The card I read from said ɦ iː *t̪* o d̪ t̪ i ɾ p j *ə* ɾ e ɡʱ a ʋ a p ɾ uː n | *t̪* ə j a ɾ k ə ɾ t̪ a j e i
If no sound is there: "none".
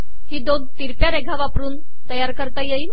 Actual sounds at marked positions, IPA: d̪, a, t̪

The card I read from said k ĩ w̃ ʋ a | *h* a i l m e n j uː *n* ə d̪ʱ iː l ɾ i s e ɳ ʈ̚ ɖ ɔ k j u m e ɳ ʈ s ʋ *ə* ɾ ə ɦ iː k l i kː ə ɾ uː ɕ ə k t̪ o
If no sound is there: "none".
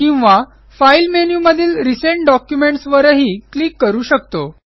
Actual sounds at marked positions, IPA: f, m, ə

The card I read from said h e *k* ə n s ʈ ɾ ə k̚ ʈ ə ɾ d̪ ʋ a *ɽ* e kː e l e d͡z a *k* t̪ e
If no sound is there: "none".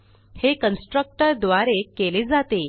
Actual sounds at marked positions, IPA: k, ɾ, none

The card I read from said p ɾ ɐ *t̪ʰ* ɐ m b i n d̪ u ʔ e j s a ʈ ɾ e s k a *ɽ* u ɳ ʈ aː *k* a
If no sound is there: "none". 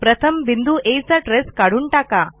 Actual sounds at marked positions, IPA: t̪ʰ, ɽ, k

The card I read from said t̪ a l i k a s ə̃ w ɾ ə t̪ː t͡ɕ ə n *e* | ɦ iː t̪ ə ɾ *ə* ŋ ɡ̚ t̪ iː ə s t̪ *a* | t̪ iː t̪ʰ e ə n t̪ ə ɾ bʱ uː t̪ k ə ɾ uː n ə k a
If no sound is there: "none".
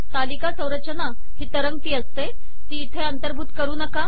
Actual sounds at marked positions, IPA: a, ə, e

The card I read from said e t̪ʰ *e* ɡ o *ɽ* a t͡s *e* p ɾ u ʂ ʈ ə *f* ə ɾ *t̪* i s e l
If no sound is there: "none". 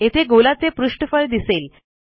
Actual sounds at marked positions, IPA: e, l, e, f, d̪

